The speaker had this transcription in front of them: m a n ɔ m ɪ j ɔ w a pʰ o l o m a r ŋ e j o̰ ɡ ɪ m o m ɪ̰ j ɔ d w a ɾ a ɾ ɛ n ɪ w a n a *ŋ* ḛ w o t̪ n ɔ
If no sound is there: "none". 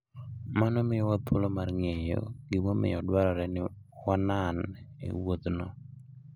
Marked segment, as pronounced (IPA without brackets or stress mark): n